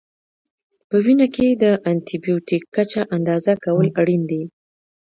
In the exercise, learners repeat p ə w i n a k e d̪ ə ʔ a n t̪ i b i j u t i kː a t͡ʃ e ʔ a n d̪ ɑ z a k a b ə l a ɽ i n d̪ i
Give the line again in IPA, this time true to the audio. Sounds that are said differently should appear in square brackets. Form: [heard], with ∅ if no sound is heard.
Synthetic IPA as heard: p ə w i n a k e d̪ ə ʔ a n t̪ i b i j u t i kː a t͡ʃ [a] ʔ a n d̪ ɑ z a k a [w] ə l a ɽ i n d̪ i